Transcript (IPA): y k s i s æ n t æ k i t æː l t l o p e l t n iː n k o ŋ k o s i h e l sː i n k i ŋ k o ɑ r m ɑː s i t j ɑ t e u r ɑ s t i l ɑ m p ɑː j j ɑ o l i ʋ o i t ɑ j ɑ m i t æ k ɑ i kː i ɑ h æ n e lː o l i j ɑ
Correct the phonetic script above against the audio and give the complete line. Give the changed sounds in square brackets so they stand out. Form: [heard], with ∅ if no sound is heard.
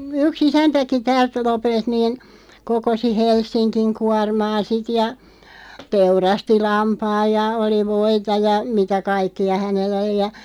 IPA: y k s i s æ n t æ k i t æː l t l o p e l t n iː n k o [∅] k o s i h e l sː i n k i ŋ k [u] ɑ r m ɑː s i t j ɑ t e u r ɑ s t i l ɑ m p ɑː j j ɑ o l i ʋ o i t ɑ j ɑ m i t æ k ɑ i kː i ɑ h æ n e lː o l i j ɑ